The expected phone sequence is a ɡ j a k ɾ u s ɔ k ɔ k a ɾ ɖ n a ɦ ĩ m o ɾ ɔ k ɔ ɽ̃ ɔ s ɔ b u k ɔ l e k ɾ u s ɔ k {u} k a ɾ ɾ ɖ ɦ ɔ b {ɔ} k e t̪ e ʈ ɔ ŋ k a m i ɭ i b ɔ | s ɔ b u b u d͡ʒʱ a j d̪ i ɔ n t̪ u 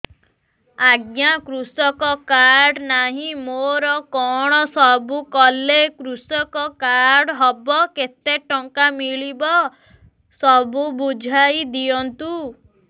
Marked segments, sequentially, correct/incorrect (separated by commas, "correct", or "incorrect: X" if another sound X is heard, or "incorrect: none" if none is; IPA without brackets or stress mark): incorrect: ɔ, correct